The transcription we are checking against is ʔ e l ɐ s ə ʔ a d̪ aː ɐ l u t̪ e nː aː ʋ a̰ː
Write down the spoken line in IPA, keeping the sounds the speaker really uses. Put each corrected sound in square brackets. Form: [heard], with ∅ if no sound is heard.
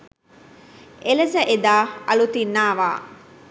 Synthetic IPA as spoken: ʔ e l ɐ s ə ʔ [e] d̪ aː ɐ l u t̪ [i] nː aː ʋ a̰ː